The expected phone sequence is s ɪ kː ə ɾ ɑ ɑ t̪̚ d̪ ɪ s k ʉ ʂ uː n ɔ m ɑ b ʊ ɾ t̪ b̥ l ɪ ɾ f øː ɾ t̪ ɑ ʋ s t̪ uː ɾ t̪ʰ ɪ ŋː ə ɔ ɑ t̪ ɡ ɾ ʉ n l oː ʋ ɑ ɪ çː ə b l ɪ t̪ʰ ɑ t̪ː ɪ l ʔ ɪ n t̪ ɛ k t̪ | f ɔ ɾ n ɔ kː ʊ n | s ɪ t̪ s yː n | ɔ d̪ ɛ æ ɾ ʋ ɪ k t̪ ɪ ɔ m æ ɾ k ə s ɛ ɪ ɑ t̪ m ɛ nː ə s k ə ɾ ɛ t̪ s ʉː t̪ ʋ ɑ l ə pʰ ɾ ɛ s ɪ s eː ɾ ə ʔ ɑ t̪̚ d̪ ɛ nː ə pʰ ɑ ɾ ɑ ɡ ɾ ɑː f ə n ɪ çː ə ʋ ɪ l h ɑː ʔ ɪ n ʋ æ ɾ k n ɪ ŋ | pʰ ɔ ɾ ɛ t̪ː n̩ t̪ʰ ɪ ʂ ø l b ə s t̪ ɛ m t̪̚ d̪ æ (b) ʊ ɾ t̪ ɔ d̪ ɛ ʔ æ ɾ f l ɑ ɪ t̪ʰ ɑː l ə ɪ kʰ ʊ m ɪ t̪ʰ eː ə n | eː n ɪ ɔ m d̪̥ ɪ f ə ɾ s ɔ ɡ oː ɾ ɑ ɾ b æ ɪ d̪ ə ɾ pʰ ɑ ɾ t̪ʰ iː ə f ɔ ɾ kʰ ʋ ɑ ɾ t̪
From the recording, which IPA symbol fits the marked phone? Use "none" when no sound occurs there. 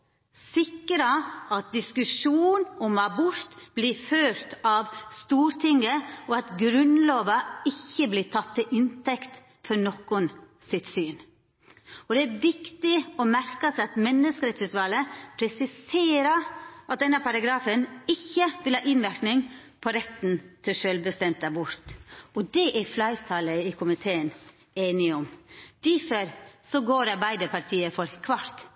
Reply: b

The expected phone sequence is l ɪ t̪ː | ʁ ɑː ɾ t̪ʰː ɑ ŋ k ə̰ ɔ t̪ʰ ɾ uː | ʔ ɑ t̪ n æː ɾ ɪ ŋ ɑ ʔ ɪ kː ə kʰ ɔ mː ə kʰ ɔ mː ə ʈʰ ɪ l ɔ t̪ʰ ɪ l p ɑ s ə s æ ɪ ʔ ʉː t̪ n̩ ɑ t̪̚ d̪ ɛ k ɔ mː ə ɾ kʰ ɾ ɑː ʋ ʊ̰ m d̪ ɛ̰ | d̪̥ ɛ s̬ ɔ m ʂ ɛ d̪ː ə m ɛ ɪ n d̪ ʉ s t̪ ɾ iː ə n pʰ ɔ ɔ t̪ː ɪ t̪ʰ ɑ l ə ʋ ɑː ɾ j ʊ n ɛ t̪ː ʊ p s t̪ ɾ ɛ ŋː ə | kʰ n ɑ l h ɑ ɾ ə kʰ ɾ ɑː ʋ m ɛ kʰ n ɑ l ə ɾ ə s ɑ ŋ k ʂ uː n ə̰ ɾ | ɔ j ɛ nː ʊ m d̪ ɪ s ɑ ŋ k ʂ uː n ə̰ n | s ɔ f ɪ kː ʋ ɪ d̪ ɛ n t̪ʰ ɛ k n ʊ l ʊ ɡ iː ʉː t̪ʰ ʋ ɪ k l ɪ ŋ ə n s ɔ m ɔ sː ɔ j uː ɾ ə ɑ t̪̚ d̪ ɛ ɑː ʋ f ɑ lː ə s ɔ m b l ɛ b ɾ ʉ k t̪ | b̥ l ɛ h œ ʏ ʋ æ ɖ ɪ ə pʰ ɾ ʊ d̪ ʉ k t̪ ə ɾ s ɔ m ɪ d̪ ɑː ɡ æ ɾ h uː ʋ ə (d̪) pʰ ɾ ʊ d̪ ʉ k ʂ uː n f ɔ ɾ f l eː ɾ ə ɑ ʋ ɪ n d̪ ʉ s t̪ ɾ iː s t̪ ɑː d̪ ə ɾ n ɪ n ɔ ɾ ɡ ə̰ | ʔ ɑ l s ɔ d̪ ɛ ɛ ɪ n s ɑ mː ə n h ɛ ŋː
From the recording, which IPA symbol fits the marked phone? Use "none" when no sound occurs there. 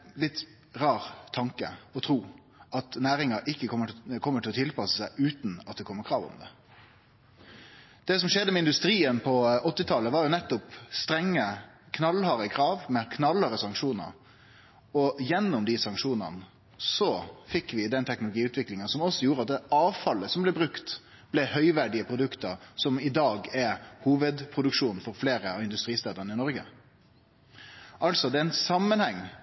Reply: d̪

